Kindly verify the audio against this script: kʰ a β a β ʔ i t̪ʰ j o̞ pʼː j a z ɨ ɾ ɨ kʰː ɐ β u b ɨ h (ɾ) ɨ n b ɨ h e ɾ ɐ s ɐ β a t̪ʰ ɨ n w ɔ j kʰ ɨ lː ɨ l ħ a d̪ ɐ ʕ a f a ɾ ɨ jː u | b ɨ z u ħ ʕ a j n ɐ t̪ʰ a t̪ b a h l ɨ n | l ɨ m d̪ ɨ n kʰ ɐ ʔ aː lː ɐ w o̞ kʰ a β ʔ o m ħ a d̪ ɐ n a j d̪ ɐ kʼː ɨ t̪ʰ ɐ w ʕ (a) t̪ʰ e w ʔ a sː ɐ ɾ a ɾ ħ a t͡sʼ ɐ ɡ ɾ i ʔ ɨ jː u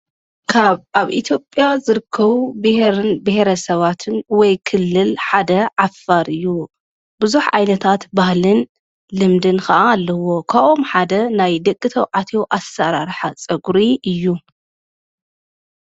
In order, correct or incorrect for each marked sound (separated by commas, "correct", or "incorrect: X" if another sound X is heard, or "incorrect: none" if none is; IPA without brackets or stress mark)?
correct, correct